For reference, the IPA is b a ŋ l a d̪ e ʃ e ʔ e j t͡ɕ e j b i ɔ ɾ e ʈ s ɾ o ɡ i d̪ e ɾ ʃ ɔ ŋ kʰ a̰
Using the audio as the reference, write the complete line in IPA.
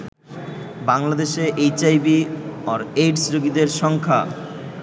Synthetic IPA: b a ŋ l a d̪ e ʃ e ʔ e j t͡ɕ a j b i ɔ ɾ e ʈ s ɾ o ɡ i d̪ e ɾ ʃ ɔ ŋ kʰ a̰